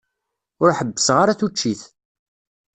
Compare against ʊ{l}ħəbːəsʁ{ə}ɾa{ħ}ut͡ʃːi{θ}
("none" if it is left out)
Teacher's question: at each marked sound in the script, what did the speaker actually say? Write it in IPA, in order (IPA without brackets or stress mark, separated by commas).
ɾ, a, θ, θ